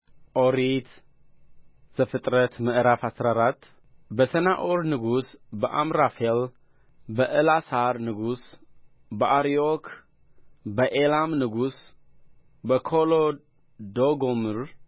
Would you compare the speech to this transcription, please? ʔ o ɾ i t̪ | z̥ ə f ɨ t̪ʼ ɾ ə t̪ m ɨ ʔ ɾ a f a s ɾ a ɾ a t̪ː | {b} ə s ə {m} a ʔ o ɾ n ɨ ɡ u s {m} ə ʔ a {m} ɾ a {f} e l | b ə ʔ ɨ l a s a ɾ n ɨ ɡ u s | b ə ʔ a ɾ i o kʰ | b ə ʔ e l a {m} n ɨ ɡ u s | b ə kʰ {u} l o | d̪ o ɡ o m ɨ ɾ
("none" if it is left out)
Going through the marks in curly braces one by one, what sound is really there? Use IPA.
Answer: b, n, b, m, f, m, o

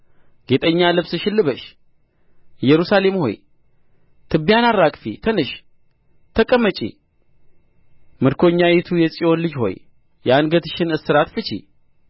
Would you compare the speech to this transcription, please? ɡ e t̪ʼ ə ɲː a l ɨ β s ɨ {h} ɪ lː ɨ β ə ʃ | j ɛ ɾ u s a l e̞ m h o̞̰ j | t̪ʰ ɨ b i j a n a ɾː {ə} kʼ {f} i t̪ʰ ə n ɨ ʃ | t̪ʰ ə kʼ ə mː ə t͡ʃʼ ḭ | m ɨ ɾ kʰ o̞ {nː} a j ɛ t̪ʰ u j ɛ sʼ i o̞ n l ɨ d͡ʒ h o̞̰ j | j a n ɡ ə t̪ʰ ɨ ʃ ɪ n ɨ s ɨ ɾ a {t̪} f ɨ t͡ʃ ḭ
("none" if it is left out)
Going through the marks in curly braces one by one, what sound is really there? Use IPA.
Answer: ʃ, a, f, ɲː, t̪

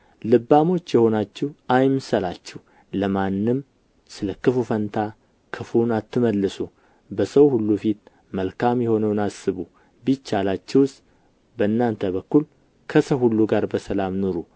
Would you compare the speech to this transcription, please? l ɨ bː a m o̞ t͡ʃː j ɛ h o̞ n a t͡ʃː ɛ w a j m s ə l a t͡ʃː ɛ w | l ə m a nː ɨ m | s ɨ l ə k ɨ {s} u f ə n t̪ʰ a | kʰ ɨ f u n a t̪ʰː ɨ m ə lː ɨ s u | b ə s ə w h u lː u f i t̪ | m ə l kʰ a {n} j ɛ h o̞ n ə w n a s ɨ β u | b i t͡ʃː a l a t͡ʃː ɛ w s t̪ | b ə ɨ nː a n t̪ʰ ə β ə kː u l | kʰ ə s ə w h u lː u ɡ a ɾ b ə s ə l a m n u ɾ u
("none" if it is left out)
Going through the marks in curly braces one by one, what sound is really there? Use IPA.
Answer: f, m

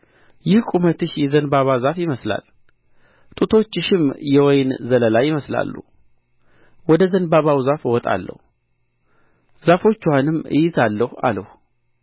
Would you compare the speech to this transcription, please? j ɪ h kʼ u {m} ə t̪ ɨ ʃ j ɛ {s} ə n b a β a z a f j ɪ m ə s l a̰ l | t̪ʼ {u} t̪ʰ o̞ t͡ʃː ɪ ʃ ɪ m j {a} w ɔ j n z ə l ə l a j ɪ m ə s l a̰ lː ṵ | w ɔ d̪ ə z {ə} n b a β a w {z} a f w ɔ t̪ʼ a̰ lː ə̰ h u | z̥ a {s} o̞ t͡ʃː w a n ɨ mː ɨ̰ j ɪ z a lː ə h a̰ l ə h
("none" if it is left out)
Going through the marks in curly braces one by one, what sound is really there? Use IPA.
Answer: m, z, u, ɛ, ə, z, f

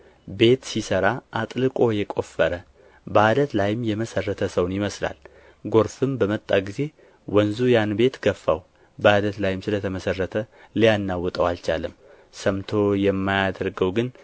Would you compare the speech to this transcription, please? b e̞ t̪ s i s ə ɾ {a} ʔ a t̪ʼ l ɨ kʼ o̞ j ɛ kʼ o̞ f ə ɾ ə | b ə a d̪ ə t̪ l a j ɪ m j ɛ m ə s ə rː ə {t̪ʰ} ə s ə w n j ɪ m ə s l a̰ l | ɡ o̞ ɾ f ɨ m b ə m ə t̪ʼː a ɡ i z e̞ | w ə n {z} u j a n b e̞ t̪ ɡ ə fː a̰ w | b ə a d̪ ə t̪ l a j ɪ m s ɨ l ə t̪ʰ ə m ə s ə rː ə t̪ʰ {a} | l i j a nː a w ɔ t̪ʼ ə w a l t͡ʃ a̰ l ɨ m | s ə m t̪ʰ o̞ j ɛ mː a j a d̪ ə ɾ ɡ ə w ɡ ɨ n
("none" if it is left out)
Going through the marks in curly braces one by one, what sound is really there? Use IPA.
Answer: a, t̪ʰ, z, ə

